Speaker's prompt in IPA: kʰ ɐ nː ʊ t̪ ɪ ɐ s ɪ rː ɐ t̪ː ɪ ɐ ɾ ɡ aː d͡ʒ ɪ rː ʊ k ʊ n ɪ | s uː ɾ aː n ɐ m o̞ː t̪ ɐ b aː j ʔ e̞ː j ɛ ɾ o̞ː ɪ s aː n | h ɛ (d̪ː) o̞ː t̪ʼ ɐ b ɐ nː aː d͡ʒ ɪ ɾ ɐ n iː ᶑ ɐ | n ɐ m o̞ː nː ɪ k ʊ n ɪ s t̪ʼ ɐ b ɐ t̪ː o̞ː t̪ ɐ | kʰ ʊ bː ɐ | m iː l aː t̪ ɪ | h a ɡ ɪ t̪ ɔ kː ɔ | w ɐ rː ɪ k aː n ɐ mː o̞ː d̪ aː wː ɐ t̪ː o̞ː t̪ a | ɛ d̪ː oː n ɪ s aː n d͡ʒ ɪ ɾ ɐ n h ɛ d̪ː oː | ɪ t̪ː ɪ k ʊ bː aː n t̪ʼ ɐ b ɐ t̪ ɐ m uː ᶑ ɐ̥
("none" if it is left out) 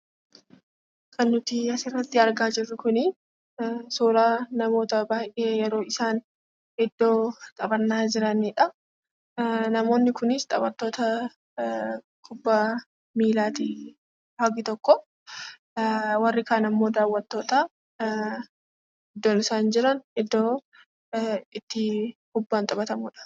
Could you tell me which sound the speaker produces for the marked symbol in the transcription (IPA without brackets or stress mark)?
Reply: d̪ː